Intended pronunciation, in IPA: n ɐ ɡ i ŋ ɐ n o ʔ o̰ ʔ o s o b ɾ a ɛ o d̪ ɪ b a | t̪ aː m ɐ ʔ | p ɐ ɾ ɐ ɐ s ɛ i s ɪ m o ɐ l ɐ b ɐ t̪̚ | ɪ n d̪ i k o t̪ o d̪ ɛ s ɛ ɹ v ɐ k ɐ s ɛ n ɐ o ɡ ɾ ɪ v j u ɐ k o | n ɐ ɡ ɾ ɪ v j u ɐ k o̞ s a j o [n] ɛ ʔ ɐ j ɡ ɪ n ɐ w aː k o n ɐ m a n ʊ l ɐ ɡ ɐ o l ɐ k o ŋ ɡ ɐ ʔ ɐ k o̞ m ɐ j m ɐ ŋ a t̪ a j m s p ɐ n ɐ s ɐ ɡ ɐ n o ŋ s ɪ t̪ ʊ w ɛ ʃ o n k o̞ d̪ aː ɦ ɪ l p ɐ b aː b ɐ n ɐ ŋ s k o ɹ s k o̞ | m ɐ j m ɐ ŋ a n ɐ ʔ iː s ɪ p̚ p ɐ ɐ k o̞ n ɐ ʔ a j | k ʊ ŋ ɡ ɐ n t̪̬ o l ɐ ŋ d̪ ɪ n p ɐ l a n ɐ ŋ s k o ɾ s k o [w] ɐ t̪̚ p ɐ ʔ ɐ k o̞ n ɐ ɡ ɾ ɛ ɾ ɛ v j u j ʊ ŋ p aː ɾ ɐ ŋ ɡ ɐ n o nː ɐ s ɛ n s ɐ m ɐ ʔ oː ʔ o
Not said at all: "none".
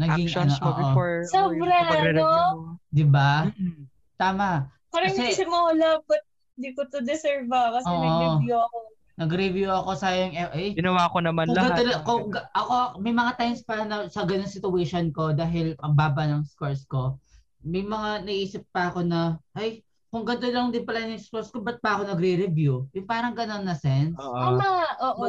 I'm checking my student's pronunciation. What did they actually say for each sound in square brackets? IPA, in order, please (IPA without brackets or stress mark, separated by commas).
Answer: ŋ, b